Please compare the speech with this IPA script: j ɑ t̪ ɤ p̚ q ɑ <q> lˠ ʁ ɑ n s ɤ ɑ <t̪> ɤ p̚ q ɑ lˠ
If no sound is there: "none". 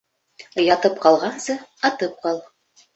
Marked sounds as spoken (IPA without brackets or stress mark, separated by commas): none, t̪